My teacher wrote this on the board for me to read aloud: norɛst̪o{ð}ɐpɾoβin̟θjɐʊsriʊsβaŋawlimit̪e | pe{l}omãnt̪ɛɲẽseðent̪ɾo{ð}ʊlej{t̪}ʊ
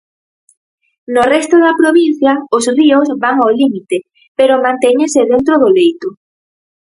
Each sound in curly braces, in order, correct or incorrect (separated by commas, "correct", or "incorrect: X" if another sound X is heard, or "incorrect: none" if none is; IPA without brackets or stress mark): correct, incorrect: ɾ, correct, correct